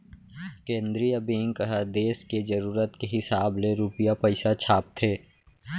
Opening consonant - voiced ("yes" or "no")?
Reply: no